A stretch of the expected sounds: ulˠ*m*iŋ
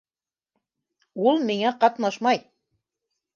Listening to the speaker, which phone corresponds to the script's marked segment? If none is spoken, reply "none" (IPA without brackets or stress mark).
m